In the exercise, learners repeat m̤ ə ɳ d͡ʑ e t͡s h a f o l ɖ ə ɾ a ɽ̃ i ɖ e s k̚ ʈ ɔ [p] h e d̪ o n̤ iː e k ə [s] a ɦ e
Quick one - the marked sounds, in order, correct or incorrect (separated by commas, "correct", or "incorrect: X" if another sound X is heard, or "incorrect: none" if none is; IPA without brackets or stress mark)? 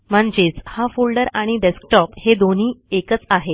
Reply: correct, incorrect: t͡s